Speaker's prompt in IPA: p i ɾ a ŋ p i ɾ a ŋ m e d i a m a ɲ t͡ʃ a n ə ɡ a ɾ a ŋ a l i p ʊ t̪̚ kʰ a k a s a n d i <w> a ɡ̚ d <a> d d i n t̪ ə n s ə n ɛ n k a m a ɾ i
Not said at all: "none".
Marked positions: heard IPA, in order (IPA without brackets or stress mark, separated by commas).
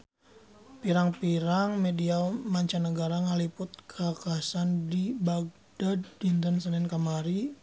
b, a